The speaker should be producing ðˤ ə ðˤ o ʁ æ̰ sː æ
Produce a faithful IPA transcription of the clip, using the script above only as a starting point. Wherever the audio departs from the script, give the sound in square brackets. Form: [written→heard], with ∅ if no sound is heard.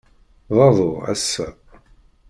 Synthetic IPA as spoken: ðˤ [ə→ɑ] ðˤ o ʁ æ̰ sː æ